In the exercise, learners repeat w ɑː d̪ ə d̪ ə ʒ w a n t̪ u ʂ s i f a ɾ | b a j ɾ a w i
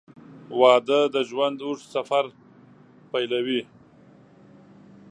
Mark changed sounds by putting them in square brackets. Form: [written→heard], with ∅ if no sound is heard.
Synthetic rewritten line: w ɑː d̪ ə d̪ ə ʒ w a n [t̪→d̪] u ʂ s [i→a] f a ɾ | [b→p] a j [ɾ→l] a w i